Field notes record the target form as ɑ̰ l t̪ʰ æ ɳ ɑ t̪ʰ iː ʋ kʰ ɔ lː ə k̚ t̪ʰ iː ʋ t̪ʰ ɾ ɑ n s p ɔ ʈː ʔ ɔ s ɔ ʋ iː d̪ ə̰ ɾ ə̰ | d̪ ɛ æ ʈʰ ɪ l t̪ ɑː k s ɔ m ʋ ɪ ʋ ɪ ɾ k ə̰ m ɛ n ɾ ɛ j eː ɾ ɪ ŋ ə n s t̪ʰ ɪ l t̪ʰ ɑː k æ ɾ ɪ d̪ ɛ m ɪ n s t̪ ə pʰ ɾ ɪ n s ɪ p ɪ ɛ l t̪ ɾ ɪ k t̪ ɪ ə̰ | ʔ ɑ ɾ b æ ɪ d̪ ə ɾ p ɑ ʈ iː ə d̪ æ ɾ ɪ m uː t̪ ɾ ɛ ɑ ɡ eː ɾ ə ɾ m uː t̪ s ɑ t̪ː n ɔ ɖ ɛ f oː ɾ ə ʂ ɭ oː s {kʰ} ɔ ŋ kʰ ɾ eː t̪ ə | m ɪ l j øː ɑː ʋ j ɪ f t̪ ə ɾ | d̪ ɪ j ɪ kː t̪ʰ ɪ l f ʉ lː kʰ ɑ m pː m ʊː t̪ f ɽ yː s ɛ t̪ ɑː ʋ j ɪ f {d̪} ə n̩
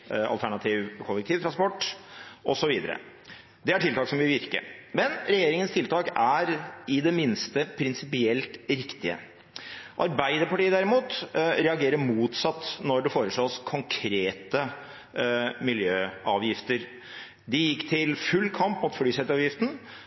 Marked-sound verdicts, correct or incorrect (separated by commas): correct, incorrect